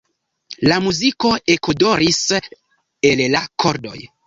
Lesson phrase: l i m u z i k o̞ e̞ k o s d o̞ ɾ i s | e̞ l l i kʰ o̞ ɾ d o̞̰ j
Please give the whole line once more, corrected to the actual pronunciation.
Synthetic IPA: l a m u z i k o̞ e̞ k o d o̞ ɾ i s | e̞ l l a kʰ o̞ ɾ d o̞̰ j